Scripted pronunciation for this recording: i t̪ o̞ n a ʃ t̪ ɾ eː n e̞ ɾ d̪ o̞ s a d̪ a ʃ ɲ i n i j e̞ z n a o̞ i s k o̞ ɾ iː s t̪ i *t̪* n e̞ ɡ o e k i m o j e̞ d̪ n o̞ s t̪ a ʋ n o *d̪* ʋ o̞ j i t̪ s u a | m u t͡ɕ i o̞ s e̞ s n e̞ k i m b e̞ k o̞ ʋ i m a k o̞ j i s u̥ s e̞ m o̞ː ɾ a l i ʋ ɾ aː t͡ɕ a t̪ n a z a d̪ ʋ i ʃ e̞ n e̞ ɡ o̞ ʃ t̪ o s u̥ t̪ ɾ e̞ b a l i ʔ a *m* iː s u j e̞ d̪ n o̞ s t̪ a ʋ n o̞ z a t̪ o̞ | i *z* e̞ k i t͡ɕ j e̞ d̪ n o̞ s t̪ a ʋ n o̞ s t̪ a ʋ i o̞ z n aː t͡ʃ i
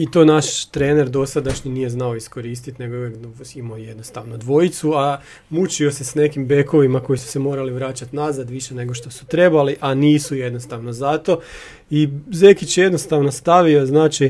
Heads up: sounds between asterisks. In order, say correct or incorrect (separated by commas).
correct, correct, incorrect, correct